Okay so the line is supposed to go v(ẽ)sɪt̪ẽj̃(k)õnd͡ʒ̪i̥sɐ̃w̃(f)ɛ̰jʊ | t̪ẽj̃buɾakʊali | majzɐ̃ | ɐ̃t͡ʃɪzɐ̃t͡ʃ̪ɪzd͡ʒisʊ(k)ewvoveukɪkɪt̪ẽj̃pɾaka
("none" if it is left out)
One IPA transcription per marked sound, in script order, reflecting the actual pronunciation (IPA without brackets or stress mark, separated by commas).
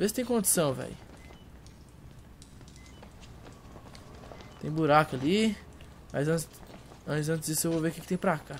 e, k, v, none